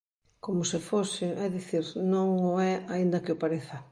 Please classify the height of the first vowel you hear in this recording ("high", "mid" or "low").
mid